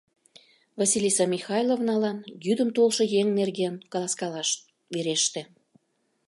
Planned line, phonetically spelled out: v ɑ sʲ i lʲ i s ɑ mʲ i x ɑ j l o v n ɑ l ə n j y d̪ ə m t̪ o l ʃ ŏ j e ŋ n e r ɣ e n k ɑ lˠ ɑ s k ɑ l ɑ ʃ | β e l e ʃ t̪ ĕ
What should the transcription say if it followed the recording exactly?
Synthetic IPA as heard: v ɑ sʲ i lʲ i s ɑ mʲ i x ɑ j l o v n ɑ l ɑ n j y d̪ ə m t̪ o l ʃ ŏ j e ŋ n e r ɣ e n k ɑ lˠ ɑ s k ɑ l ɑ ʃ | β e ɾ e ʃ t̪ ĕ